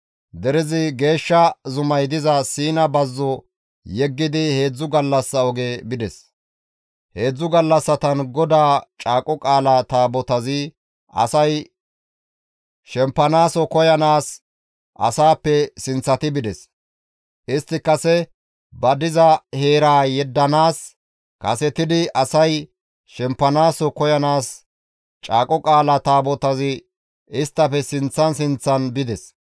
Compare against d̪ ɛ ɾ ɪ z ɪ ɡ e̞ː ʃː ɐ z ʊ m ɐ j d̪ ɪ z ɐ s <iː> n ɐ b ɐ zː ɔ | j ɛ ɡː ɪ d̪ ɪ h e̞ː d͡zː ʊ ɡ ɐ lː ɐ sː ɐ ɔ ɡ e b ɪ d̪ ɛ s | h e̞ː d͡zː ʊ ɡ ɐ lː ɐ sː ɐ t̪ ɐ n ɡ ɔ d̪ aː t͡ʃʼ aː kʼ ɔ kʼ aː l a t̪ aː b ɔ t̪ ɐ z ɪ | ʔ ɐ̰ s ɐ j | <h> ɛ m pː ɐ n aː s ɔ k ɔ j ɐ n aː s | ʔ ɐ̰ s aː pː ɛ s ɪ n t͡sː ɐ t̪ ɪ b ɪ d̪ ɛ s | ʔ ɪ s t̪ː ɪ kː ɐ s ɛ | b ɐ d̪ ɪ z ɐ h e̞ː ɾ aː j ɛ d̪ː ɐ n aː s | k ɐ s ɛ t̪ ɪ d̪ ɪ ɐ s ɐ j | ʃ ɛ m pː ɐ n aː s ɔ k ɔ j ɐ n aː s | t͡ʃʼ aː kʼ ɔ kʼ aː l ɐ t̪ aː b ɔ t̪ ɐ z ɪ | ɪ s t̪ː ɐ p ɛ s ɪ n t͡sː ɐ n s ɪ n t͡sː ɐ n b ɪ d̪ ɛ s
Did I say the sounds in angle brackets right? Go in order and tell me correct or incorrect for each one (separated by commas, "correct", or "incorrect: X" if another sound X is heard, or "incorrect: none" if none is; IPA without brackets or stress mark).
correct, incorrect: ʃ